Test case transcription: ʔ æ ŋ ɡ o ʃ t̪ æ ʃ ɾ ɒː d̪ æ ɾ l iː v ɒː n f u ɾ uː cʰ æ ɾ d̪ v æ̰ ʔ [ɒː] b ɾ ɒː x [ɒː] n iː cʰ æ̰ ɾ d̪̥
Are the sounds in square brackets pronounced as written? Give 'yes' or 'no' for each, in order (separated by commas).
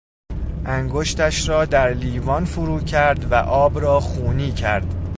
yes, no